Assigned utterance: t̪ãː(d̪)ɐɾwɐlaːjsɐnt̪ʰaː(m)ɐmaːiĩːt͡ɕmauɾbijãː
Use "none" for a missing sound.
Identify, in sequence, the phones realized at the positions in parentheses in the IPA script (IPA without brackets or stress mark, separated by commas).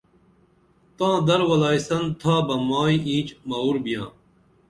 d̪, b